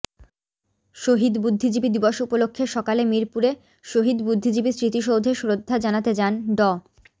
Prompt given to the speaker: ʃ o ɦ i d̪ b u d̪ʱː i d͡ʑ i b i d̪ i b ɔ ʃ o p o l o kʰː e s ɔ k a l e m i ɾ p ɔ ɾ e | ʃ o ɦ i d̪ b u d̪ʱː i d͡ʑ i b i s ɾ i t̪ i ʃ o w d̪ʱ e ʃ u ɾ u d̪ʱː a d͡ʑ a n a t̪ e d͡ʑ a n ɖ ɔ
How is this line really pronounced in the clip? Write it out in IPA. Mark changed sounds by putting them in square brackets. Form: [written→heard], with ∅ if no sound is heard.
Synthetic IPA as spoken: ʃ o ɦ i d̪ b u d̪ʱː i d͡ʑ i b i d̪ i b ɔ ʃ [o→u] p o l o kʰː e [s→ʃ] ɔ k a l e m i ɾ p [ɔ→u] ɾ e | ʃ o ɦ i d̪ b u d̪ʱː i d͡ʑ i b i s ɾ i t̪ i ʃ o w d̪ʱ e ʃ u ɾ [u→o] d̪ʱː a d͡ʑ a n a t̪ e d͡ʑ a n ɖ ɔ